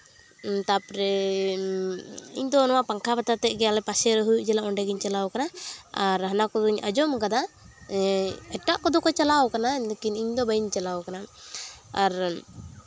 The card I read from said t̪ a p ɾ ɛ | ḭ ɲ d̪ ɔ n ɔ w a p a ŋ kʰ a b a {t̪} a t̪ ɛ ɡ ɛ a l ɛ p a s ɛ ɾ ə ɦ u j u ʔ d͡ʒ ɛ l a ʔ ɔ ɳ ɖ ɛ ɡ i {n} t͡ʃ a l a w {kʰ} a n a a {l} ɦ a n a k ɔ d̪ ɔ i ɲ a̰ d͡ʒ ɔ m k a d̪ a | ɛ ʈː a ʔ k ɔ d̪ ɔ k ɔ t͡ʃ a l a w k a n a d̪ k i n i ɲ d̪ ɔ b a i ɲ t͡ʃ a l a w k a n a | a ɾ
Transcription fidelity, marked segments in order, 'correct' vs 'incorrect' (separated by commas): correct, incorrect, incorrect, incorrect